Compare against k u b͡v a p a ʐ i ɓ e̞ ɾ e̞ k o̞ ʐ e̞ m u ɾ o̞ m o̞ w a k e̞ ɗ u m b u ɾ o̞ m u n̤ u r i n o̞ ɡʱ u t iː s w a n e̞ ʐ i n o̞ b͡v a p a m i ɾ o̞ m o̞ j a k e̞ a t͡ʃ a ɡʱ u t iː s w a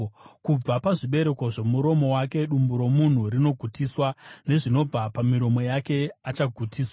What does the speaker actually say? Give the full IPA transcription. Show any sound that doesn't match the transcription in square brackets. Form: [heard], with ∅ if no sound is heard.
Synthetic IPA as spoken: k u b͡v a p a ʐ i ɓ e̞ ɾ e̞ k o̞ ʐ e̞ m u ɾ o̞ m o̞ w a k e̞ ɗ u m b u ɾ o̞ m u n̤ u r i n o̞ ɡʱ u t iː s w a n e̞ ʐ i n o̞ b͡v a p a m i ɾ o̞ m o̞ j a k e̞ a t͡ʃ a ɡʱ u t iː s w a